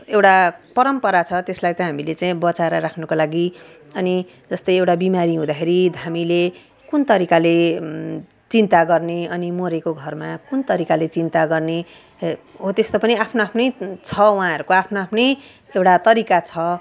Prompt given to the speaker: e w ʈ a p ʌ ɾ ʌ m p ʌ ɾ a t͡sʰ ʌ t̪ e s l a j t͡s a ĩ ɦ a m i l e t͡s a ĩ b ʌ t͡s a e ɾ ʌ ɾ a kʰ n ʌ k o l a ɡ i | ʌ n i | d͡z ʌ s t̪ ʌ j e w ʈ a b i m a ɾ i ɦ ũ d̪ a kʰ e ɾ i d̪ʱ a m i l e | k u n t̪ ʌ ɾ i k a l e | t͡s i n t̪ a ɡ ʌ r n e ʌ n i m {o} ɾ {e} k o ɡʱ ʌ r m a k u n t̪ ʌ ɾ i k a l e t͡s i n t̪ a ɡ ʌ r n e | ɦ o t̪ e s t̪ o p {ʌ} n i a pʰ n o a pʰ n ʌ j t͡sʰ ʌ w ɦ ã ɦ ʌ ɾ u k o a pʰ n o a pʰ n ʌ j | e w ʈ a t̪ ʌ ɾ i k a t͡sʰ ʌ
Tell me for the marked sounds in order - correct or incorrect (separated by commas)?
correct, correct, correct